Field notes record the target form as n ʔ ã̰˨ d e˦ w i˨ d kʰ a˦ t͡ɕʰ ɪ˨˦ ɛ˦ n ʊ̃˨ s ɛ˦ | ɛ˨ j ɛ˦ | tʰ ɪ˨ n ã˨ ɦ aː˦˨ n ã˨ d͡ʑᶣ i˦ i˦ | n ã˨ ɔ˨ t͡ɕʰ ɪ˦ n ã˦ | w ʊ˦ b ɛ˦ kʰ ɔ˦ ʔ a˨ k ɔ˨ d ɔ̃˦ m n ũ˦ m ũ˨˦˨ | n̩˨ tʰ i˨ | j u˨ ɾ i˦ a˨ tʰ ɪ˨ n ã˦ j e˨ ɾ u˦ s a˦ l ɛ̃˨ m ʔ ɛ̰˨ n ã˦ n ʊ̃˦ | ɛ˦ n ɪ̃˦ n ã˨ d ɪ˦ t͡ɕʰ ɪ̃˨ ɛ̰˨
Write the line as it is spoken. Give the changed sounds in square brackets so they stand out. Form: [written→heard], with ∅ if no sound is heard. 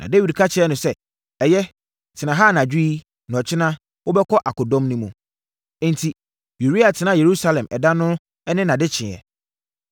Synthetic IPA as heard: n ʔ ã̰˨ d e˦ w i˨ d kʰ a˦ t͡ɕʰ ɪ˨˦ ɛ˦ n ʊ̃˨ s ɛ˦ | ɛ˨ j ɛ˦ | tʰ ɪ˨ n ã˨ ɦ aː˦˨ n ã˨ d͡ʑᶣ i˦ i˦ | n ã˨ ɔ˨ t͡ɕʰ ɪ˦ n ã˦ | w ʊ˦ b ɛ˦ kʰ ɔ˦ ʔ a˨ k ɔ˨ d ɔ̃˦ m n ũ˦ m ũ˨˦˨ | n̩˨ tʰ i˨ | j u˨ ɾ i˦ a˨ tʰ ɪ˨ n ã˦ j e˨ ɾ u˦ s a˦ l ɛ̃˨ m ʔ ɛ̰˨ [n→d] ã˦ n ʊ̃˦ | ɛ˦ n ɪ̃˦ n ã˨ d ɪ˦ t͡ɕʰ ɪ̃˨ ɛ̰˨